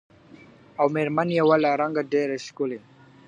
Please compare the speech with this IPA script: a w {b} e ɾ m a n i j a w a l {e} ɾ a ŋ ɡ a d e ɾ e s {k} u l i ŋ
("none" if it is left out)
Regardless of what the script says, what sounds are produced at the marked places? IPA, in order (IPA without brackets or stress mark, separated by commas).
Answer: m, a, k